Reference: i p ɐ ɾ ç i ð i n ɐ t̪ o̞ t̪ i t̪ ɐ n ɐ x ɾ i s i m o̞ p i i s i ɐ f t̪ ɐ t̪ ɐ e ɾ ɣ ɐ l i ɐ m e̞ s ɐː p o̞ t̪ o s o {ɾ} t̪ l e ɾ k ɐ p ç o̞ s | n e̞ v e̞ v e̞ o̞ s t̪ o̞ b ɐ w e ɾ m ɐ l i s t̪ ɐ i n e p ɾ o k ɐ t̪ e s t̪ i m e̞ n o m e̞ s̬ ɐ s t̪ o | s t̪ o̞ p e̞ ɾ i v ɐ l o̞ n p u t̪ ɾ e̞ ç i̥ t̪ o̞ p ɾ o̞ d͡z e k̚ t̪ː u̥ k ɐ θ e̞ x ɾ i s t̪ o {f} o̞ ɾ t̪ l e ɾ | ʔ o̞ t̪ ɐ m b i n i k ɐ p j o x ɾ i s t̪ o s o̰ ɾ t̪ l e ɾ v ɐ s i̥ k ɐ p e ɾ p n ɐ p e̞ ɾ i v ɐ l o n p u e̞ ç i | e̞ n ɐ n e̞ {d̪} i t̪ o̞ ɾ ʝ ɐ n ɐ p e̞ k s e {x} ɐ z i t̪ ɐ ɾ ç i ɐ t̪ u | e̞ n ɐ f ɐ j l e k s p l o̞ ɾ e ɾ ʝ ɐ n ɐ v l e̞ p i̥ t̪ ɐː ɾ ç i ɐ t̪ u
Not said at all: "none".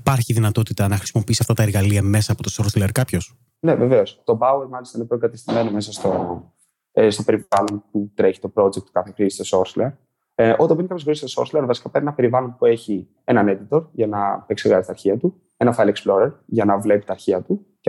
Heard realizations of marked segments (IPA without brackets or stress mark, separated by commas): ɾ, s, d̪, ɣ